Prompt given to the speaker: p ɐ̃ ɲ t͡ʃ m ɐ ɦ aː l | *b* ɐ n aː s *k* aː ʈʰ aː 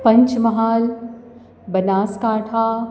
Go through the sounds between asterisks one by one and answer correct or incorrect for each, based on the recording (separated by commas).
correct, correct